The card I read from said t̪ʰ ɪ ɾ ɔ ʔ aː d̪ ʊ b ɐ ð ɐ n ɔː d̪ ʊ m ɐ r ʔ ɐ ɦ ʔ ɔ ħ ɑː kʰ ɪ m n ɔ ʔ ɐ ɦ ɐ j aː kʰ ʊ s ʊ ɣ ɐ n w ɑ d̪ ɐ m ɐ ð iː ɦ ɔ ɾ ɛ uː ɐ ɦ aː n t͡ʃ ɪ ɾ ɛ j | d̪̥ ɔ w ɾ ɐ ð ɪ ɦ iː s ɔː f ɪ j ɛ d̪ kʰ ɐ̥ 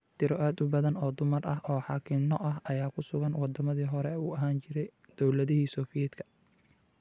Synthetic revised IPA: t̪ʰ ɪ ɾ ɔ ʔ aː d̪ ʊ b ɐ ð ɐ n ɔː d̪ ʊ m ɐ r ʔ ɐ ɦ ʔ ɔː ħ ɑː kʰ ɪ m n ɔ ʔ ɐ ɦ ɐ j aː kʰ ʊ s ʊ ɣ ɐ n w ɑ d̪ ɐ m ɐ ð iː ɦ ɔ ɾ ɛ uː ɐ ɦ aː n t͡ʃ ɪ ɾ ɛ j | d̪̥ ɔ w l ɐ ð ɪ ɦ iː s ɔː f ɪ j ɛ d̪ kʰ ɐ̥